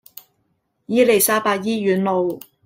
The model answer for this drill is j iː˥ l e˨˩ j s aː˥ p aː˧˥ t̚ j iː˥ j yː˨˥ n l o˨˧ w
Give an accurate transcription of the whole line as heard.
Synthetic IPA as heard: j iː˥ l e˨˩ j s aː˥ p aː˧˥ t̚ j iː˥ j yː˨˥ n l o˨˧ w